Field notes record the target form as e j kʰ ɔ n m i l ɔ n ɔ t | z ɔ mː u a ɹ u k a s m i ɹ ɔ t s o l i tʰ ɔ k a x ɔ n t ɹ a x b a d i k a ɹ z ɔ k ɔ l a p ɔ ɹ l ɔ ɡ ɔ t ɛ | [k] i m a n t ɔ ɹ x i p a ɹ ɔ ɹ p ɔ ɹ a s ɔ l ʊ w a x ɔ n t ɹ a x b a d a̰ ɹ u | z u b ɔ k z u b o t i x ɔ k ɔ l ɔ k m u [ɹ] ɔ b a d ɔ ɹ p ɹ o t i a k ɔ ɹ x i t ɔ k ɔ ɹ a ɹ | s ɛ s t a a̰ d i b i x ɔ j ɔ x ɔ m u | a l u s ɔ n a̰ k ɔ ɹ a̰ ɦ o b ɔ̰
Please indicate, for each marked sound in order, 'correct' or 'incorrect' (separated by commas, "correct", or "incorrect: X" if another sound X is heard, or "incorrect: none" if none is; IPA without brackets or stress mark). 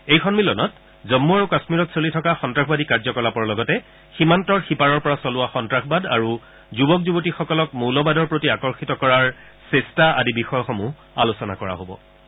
incorrect: x, incorrect: l